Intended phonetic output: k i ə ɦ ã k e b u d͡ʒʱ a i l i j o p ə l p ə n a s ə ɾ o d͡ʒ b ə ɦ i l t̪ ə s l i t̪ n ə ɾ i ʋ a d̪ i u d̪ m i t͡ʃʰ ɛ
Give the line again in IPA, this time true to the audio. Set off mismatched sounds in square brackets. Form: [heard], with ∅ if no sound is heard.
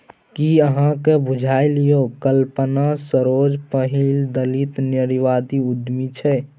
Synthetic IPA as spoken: k i ə ɦ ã k e b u d͡ʒʱ a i l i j o [k] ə l p ə n a s ə ɾ o d͡ʒ [p] ə ɦ i l [d̪] ə [∅] l i t̪ n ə ɾ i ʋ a d̪ i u d̪ m i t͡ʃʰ ɛ